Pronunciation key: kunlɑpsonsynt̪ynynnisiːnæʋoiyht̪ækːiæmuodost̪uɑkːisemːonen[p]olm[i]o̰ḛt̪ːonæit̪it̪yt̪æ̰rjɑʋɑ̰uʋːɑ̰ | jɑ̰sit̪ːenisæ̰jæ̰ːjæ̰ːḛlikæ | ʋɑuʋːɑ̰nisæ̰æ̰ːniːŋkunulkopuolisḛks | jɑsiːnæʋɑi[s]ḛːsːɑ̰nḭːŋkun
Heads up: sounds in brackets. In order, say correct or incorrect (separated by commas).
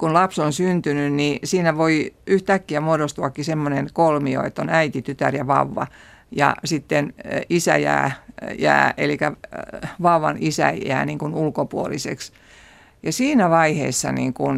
incorrect, correct, incorrect